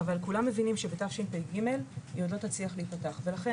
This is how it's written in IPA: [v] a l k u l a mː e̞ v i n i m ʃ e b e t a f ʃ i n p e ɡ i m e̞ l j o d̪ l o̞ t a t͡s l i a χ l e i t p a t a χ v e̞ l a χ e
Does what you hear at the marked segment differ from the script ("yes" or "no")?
no